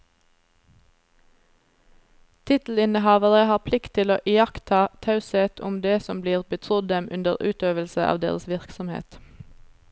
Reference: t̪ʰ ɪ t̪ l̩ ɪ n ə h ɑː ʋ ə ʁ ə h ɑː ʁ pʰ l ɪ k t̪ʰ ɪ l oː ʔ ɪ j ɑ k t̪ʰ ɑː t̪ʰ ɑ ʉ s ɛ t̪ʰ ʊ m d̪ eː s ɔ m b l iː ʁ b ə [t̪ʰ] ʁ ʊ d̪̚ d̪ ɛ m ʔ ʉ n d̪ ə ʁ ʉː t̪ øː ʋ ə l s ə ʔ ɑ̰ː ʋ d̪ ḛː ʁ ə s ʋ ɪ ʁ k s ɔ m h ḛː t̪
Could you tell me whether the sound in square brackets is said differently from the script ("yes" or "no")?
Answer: no